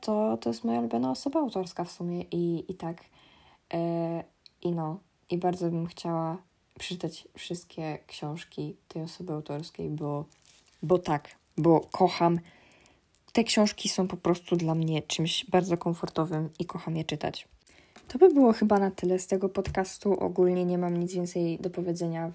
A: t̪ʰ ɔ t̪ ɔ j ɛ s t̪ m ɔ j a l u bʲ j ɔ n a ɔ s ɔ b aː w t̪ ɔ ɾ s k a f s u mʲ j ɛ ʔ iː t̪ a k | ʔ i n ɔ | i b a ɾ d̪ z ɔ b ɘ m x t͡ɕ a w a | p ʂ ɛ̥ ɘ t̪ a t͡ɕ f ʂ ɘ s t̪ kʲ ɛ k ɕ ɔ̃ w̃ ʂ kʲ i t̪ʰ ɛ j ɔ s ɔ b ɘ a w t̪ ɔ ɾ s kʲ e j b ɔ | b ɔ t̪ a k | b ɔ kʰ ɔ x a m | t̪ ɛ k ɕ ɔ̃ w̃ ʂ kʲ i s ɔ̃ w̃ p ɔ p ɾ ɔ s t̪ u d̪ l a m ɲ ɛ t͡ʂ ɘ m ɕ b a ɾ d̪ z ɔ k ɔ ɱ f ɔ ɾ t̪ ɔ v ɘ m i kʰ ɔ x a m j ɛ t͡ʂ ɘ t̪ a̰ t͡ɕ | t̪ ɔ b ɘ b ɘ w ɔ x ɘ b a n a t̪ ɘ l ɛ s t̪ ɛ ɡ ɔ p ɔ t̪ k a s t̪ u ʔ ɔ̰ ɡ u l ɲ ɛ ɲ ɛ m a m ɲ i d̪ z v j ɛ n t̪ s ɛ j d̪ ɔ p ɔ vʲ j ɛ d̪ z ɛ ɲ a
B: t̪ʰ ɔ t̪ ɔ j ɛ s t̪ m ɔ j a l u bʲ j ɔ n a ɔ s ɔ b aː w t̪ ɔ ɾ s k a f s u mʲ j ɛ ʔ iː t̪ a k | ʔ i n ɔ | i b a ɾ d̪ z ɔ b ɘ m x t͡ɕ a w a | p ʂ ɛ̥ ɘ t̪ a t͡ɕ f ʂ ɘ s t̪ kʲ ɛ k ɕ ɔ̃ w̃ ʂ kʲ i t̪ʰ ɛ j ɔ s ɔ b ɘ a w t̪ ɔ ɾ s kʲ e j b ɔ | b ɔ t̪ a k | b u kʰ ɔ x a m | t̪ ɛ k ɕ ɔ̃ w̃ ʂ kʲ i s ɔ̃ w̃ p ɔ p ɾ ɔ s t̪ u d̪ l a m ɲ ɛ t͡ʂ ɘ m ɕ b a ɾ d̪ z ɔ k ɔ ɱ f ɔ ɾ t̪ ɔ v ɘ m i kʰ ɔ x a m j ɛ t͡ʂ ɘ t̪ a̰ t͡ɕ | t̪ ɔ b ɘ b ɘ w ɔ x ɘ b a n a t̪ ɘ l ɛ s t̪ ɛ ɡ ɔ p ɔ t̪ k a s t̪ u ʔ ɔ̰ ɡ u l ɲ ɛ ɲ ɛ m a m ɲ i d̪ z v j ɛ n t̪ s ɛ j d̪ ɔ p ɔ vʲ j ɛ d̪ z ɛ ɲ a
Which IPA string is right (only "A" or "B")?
A